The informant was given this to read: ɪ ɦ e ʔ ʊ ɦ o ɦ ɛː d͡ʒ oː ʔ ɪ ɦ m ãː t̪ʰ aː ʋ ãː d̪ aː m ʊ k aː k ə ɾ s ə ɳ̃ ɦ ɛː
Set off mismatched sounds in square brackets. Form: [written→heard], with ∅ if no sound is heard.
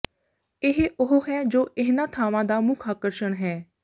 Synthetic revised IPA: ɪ ɦ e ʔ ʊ ɦ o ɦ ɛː d͡ʒ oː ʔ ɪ ɦ [m→n] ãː t̪ʰ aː ʋ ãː d̪ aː m ʊ [k→kʰ] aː k ə ɾ [s→ʃ] ə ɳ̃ ɦ ɛː

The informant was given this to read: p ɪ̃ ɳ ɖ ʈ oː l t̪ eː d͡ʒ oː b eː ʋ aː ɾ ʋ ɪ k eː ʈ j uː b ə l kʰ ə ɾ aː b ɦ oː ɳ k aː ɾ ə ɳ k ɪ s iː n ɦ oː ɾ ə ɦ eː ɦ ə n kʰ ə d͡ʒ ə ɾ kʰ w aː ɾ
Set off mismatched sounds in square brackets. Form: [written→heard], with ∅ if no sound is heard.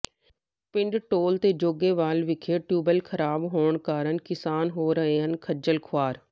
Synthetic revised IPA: p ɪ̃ ɳ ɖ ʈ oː l t̪ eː d͡ʒ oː [b→ɡ] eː ʋ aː [ɾ→l] ʋ ɪ [k→kʰ] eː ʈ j uː b ə l kʰ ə ɾ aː b ɦ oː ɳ k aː ɾ ə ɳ k ɪ s [iː→aː] n ɦ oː ɾ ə ɦ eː ɦ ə n kʰ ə d͡ʒ ə [ɾ→l] kʰ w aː ɾ

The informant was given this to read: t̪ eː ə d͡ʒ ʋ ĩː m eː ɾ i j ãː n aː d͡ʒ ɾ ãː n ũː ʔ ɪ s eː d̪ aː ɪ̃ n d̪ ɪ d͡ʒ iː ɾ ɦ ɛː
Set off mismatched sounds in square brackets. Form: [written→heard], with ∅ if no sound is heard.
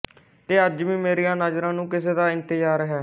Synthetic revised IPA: t̪ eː ə d͡ʒ ʋ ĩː m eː ɾ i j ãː n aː d͡ʒ ɾ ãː n ũː [ʔ→k] ɪ s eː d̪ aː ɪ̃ n [d̪→t̪] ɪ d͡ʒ [iː→aː] ɾ ɦ ɛː

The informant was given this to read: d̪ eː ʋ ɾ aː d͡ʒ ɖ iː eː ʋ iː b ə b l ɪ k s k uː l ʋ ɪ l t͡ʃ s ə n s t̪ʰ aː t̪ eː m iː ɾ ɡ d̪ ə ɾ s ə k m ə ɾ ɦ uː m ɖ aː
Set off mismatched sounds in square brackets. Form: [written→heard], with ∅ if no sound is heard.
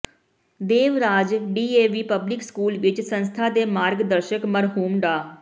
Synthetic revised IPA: d̪ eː ʋ ɾ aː d͡ʒ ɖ iː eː ʋ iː [b→p] ə b l ɪ k s k uː l ʋ ɪ [l→∅] t͡ʃ s ə n s t̪ʰ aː [t̪→d̪] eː m [iː→aː] ɾ ɡ d̪ ə ɾ [s→ʃ] ə k m ə ɾ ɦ uː m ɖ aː

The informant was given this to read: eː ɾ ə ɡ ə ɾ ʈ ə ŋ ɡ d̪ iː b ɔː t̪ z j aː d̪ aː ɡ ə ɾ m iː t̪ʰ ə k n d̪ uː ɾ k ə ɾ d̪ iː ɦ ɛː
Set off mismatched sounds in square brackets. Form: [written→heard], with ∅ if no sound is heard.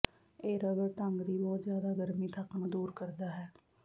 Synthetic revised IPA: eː ɾ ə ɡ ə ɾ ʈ ə ŋ ɡ d̪ iː b ɔː t̪ z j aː d̪ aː ɡ ə ɾ m iː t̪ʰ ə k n d̪ uː ɾ k ə ɾ d̪ [iː→aː] ɦ ɛː

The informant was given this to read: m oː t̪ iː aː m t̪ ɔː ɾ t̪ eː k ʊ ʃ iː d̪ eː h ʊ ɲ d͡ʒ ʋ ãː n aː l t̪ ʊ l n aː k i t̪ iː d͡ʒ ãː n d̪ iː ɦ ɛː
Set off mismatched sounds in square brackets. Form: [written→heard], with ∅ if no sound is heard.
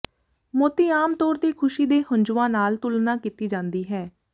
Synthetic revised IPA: m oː t̪ iː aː m t̪ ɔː ɾ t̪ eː [k→kʰ] ʊ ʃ iː d̪ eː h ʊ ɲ d͡ʒ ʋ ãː n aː l t̪ ʊ l n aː k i t̪ iː d͡ʒ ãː n d̪ iː ɦ ɛː

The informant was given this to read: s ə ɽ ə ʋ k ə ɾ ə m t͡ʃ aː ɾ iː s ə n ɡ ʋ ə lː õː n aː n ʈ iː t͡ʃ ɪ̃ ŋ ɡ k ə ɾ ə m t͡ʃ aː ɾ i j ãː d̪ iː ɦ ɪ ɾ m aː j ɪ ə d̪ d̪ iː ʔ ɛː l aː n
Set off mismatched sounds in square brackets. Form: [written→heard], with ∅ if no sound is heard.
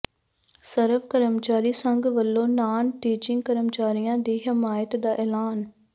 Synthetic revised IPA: s ə [ɽ→ɾ] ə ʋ k ə ɾ ə m t͡ʃ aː ɾ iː s ə [n→ŋ] ɡ ʋ ə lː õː n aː n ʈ iː t͡ʃ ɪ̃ ŋ ɡ k ə ɾ ə m t͡ʃ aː ɾ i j ãː d̪ iː ɦ ɪ [ɾ→∅] m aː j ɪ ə [d̪→t̪] d̪ [iː→aː] ʔ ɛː l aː n

